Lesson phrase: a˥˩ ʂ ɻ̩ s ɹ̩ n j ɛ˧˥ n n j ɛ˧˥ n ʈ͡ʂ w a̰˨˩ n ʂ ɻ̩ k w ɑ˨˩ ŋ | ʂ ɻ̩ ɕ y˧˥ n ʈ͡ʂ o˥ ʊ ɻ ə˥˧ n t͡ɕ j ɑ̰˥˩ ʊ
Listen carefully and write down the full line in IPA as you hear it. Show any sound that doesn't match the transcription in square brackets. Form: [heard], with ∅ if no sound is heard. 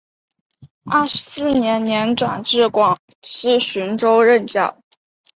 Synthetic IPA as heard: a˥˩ ʂ ɻ̩ s ɹ̩ n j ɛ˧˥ n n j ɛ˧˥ n ʈ͡ʂ w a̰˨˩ n [ʈ͡ʂ] ɻ̩ k w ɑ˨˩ ŋ | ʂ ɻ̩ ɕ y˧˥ n ʈ͡ʂ o˥ ʊ ɻ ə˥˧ n t͡ɕ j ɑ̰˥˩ ʊ